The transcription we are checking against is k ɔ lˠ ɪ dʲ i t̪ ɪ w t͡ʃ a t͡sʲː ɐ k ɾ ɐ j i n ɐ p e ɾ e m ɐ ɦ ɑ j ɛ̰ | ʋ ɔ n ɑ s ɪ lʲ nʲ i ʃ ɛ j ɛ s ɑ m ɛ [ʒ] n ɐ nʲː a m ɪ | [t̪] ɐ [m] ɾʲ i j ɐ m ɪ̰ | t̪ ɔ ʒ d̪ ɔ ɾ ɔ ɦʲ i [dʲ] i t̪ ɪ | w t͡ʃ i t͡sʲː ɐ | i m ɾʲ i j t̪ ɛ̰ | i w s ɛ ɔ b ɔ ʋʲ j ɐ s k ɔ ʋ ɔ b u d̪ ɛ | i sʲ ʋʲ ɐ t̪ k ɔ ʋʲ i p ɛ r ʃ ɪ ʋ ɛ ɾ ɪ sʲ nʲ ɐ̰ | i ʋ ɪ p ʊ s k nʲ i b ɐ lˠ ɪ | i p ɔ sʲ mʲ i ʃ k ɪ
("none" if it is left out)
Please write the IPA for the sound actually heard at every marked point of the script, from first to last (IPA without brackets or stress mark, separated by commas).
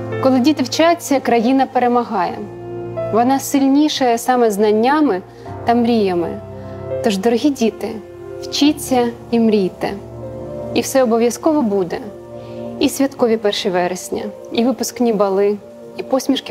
z, t̪, m, dʲ